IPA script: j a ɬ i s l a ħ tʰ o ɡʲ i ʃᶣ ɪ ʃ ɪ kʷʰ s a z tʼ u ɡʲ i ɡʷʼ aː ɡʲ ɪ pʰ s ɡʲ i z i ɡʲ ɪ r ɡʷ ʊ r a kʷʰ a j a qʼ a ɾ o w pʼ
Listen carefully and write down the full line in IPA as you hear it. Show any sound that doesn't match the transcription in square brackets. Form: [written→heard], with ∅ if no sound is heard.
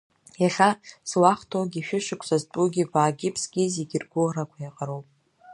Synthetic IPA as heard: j a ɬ [i→a] s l a [ħ→χ] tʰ o ɡʲ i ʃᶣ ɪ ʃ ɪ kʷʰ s a z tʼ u ɡʲ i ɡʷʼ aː ɡʲ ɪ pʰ s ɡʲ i z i ɡʲ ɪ r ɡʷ ʊ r a kʷʰ a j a qʼ a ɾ o w pʼ